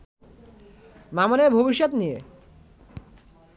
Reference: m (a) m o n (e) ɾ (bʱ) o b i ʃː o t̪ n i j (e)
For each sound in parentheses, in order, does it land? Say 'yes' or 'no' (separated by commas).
yes, yes, yes, yes